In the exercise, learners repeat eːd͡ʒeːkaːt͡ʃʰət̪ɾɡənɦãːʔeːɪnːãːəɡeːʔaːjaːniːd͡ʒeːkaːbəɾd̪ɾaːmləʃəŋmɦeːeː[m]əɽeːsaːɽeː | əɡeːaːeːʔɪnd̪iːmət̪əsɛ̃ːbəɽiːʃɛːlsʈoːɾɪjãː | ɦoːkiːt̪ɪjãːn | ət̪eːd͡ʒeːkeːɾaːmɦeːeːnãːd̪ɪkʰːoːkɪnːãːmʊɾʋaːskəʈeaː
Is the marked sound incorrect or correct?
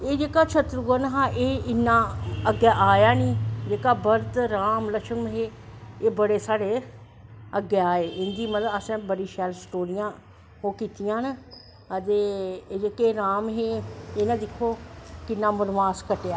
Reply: incorrect